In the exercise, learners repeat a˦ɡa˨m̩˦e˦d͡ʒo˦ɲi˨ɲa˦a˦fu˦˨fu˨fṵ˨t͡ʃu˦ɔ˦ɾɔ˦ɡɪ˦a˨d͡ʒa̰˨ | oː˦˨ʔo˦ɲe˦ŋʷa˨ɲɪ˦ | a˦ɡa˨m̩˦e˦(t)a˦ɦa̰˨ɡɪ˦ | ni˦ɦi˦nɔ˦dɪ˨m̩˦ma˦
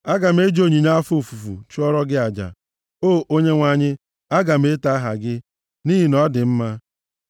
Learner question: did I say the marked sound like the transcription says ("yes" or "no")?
yes